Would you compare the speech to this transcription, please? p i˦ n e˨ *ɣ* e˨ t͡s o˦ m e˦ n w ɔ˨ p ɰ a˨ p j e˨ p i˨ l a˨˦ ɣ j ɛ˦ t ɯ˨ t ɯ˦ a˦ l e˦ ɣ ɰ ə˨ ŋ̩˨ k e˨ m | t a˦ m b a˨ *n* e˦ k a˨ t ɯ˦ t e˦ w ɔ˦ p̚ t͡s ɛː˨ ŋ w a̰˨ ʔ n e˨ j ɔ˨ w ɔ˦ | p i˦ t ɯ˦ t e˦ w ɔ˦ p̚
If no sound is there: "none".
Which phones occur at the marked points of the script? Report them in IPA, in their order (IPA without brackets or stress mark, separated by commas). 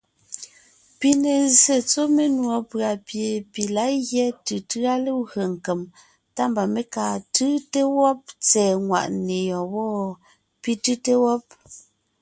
z, m